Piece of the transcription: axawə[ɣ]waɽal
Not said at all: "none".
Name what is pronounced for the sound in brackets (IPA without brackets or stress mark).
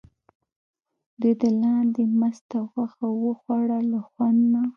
x